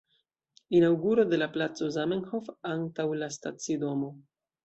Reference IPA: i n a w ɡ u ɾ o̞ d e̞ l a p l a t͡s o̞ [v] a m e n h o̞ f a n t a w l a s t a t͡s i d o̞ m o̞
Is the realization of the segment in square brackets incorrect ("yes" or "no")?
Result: yes